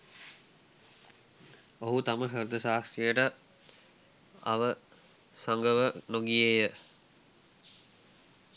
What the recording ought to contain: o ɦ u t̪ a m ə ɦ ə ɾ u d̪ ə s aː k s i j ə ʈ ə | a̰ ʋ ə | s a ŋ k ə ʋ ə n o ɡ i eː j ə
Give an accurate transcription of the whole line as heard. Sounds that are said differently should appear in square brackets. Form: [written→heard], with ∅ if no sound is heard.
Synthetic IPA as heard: o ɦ u t̪ a m ə ɦ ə ɾ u d̪ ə s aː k s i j ə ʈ ə | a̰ ʋ ə | s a ŋ [k→ɡ] ə ʋ ə n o ɡ i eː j ə